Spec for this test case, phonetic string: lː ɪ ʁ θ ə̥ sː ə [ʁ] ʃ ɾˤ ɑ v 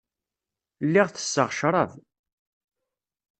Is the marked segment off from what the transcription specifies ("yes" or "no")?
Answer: no